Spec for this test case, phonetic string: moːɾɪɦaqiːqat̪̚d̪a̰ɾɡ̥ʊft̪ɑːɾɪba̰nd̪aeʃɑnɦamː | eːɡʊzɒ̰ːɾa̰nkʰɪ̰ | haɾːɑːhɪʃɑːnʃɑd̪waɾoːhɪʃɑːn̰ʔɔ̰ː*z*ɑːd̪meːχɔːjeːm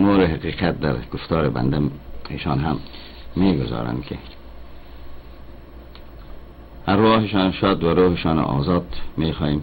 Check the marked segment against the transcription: correct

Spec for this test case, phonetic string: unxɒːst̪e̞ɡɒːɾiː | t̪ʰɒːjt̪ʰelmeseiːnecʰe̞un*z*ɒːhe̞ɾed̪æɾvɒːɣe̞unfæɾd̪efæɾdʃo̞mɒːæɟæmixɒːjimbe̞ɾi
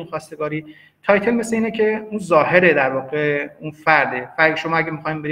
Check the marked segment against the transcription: correct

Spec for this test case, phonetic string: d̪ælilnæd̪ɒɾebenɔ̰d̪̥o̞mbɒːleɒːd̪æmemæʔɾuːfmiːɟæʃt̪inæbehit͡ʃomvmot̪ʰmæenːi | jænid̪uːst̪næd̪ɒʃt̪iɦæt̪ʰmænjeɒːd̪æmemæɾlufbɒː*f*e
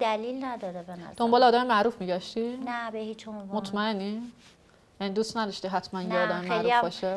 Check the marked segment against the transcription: incorrect: ʃ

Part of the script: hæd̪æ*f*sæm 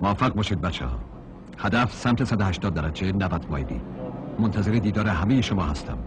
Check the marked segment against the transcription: correct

